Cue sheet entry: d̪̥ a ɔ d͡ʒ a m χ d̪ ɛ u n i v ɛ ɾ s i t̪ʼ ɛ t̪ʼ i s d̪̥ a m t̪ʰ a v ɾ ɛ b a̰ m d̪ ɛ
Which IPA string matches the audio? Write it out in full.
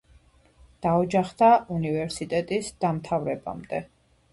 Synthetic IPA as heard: d̪̥ a ɔ d͡ʒ a χ d̪ a u n i v ɛ ɾ s i t̪ʼ ɛ t̪ʼ i s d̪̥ a m t̪ʰ a v ɾ ɛ b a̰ m d̪ ɛ